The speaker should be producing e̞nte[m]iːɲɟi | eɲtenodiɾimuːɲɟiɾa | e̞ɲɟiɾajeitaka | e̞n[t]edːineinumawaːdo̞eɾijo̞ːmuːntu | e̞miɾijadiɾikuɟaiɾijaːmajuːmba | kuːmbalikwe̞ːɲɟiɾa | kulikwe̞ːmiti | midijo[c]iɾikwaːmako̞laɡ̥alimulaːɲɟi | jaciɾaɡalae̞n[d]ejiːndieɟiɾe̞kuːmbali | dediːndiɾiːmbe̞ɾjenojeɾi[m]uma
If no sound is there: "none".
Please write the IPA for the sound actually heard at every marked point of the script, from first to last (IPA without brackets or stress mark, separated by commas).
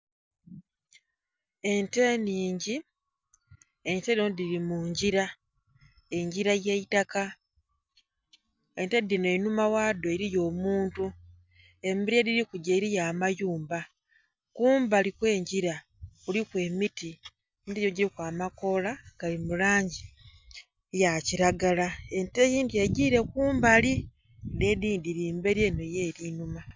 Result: n, t, ɟ, t, n